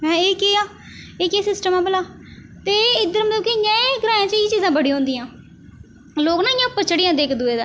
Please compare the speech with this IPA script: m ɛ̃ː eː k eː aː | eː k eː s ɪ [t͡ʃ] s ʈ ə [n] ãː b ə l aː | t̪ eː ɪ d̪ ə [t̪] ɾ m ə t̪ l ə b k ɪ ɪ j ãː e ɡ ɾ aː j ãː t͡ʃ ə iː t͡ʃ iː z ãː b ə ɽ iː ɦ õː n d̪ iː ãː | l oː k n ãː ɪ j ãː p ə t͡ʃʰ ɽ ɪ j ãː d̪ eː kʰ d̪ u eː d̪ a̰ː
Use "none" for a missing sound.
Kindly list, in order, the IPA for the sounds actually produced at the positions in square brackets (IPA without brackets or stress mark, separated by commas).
none, m, none